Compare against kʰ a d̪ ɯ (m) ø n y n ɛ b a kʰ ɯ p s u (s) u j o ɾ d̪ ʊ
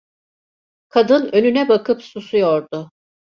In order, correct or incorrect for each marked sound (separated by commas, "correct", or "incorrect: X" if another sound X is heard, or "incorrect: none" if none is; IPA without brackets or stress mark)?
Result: incorrect: n, correct